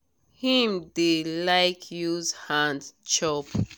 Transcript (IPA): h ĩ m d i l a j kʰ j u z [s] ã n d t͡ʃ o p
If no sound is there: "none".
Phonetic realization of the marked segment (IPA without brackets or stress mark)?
h